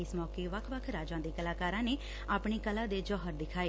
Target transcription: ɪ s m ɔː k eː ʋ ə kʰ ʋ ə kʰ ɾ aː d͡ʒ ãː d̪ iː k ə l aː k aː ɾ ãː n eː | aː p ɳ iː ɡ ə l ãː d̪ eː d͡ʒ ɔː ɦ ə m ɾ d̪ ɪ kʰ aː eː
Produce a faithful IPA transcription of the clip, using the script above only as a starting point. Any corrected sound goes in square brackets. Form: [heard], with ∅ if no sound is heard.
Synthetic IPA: ɪ s m ɔː k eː ʋ ə kʰ ʋ ə kʰ ɾ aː d͡ʒ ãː d̪ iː k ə l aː k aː ɾ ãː n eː | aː p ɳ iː [k] ə l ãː d̪ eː d͡ʒ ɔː ɦ ə [∅] ɾ d̪ ɪ kʰ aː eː